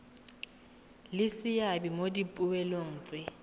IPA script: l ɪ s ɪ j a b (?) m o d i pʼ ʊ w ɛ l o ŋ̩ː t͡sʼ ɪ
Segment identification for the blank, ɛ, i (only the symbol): i